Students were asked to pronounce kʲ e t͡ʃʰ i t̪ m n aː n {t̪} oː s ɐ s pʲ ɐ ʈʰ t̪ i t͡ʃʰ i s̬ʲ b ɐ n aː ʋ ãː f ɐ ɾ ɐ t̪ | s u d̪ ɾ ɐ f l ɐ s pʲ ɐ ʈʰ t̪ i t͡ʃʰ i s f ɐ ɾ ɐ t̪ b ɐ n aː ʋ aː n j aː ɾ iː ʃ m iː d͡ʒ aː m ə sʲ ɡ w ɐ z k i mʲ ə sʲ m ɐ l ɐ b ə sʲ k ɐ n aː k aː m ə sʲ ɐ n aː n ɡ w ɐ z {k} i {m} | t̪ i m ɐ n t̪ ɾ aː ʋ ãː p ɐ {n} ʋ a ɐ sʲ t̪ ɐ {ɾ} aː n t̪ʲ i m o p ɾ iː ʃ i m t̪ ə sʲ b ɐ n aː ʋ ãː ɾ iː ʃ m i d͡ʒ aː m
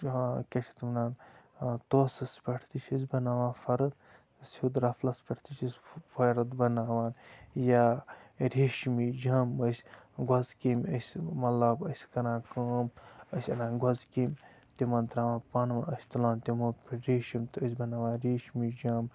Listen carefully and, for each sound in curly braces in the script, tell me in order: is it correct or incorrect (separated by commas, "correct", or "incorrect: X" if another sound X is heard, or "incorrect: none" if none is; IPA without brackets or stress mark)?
correct, correct, correct, correct, incorrect: l